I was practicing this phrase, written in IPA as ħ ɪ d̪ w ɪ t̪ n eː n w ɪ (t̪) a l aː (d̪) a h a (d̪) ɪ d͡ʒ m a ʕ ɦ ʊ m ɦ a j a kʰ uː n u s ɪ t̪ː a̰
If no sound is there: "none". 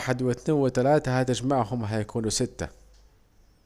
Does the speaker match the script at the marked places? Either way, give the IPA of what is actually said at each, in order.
t̪, t̪, t̪

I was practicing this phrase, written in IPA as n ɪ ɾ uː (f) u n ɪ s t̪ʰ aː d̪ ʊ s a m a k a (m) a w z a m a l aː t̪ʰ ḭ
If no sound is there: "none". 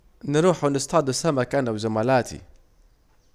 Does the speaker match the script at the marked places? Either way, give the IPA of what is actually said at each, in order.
ħ, n

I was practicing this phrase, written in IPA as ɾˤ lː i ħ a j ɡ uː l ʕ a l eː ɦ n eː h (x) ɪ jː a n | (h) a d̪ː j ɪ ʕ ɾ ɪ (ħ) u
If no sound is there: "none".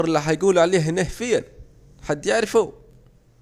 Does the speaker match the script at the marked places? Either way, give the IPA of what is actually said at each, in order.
f, ħ, f

